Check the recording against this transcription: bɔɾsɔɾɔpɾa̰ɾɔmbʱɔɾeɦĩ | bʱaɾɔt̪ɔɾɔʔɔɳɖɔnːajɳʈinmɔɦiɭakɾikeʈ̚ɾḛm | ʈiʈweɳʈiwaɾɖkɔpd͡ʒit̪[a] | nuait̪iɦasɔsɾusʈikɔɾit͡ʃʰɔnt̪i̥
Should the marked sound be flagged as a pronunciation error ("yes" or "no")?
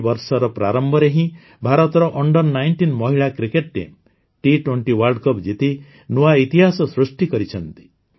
yes